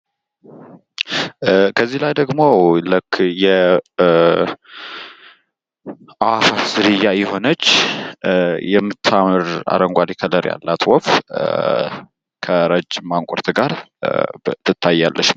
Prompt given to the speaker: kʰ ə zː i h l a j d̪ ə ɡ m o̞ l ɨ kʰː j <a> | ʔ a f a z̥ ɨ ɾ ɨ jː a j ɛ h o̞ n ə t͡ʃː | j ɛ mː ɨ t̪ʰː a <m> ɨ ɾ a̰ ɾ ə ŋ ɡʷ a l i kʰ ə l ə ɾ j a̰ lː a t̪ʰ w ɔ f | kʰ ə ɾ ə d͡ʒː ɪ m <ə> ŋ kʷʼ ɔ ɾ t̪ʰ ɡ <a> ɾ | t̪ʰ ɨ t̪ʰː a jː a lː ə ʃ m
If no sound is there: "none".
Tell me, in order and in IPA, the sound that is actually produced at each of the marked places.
ɛ, m, a, a

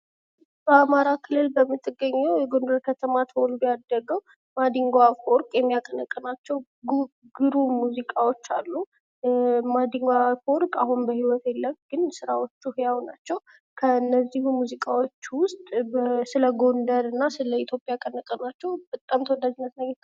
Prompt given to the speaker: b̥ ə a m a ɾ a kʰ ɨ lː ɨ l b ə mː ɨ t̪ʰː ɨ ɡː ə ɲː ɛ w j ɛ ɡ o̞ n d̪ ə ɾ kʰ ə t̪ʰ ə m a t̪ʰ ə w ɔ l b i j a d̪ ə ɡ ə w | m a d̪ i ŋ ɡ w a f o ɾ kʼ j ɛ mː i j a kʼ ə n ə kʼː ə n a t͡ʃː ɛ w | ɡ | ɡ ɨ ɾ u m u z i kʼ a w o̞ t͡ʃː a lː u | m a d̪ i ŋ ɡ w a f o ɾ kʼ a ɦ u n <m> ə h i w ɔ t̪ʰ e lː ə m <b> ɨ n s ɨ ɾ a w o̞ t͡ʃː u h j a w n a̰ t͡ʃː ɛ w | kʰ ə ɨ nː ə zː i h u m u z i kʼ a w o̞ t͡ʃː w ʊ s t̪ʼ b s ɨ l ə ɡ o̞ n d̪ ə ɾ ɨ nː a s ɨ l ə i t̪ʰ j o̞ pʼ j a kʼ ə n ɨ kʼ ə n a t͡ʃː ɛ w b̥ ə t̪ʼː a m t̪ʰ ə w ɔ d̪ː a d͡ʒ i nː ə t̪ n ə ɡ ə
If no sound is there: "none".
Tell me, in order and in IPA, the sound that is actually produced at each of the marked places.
b, ɡ

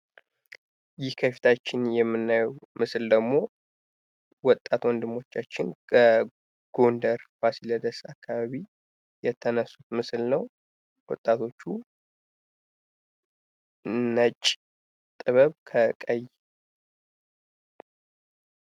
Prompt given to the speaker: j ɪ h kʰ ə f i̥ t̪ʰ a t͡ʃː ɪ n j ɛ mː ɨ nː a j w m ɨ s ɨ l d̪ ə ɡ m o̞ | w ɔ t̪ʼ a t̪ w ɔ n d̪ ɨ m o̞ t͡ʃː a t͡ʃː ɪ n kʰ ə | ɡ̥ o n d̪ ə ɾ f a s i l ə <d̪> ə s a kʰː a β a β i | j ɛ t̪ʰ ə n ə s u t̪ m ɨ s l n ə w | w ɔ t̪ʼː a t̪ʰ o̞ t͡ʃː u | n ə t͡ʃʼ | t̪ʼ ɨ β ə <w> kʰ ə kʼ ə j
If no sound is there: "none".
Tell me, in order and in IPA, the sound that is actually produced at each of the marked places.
d̪, β

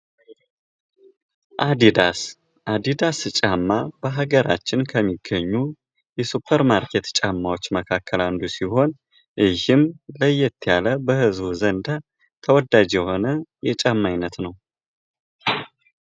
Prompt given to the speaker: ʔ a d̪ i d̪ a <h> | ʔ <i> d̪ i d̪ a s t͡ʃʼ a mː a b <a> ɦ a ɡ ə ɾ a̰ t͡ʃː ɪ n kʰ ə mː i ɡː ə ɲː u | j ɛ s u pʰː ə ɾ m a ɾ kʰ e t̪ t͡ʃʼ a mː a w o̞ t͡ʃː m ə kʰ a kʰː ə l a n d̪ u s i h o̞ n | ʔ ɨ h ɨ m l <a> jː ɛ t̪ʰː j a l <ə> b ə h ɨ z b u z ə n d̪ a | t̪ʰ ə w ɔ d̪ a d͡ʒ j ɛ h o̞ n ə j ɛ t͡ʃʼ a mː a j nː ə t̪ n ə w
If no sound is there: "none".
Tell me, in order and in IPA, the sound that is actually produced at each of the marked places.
s, a, ə, ə, ə

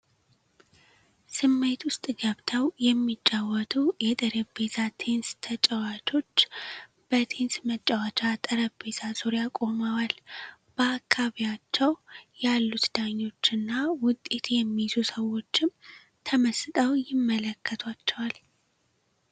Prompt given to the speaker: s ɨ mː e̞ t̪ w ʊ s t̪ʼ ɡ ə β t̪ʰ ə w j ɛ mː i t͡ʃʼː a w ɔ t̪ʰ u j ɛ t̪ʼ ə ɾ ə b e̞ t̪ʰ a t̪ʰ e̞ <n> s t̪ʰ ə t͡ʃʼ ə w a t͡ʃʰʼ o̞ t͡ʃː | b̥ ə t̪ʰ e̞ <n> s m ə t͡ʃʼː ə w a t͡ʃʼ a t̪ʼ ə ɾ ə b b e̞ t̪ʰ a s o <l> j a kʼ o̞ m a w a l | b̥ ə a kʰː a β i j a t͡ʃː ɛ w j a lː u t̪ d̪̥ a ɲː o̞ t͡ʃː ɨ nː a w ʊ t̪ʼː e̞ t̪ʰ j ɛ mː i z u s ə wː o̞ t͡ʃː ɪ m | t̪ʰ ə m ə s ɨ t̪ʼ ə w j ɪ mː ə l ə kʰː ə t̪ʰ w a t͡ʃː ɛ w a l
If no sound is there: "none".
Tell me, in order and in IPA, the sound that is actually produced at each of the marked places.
n, n, ɾ

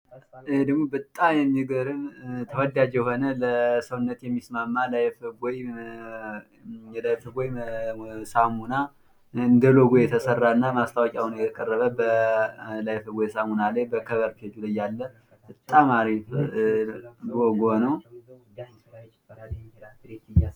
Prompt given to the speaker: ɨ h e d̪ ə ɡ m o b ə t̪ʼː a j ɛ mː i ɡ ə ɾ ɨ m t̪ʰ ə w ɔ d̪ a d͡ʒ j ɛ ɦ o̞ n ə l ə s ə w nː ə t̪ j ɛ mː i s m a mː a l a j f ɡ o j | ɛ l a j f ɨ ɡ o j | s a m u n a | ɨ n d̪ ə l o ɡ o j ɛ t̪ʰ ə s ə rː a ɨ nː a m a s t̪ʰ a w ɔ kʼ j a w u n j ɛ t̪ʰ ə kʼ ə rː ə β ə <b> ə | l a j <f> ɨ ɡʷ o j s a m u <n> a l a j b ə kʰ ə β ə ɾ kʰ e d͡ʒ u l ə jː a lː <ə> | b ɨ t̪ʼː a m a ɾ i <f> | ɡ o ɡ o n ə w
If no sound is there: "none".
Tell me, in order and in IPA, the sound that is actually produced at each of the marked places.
b, f, n, ə, f

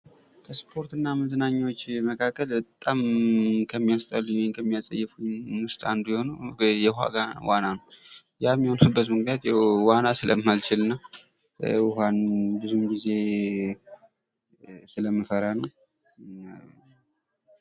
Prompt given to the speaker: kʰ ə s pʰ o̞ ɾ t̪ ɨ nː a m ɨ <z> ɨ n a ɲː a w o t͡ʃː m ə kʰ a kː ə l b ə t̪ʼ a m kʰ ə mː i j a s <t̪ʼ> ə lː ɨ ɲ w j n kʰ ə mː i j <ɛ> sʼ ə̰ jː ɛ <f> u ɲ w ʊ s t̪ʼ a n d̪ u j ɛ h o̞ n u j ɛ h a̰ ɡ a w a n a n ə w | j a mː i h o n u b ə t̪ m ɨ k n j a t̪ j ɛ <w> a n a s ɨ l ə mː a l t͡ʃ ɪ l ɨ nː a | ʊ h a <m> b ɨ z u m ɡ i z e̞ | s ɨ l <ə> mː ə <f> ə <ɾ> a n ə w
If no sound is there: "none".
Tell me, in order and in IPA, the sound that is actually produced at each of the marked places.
z, t̪ʼ, a, f, w, n, ə, f, ɾ

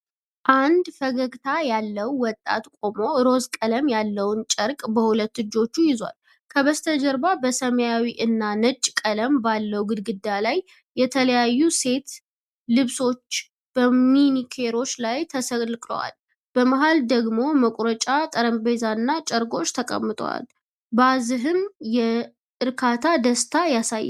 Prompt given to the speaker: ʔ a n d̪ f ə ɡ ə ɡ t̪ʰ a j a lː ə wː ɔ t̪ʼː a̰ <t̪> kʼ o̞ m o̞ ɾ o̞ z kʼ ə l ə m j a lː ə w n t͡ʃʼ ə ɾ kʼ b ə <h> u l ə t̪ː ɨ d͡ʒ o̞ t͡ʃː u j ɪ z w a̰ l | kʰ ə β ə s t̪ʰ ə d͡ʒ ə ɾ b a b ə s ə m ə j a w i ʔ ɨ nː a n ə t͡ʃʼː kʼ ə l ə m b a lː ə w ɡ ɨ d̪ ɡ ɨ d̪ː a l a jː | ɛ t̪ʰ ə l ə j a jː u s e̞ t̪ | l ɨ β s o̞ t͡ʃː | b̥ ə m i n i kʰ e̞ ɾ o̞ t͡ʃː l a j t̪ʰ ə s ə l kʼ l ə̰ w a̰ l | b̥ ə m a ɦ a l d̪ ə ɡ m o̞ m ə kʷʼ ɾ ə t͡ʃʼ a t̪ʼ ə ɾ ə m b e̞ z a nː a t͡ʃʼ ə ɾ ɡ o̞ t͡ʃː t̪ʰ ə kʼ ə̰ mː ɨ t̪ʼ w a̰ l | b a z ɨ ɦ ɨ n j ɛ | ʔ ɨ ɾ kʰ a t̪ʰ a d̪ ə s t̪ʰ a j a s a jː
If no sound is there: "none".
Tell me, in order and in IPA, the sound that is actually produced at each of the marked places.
t̪, h

